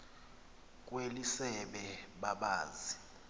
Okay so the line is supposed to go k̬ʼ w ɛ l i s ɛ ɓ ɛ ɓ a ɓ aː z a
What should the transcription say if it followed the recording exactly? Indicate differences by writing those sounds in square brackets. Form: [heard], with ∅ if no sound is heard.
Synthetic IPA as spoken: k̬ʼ w [e] l i s ɛ ɓ ɛ ɓ a ɓ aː z [i]